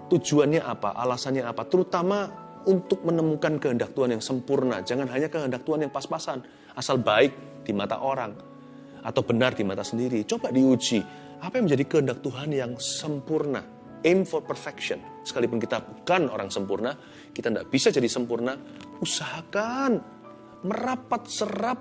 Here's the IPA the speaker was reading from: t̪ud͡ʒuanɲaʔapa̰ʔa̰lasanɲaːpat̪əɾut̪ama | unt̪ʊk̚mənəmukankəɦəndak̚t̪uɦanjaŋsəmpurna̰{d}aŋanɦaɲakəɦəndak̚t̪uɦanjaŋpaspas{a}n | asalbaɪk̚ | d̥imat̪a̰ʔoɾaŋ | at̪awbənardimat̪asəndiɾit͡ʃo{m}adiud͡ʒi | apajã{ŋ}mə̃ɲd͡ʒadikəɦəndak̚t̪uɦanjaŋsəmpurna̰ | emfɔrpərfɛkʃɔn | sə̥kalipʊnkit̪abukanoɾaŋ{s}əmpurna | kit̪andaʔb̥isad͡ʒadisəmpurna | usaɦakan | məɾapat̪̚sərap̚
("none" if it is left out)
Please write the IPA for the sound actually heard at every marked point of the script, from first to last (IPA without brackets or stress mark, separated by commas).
d͡ʒ, a, b, ŋ, s